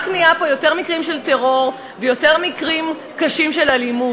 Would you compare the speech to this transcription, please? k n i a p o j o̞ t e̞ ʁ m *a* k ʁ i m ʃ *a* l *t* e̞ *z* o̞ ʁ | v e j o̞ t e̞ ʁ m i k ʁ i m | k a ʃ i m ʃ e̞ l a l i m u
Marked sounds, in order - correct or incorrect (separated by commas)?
incorrect, incorrect, correct, incorrect